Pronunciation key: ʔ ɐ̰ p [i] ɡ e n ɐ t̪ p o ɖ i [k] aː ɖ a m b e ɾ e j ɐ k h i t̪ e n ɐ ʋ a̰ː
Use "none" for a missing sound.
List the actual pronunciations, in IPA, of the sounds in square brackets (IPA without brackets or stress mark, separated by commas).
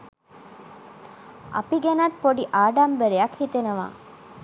i, ʔ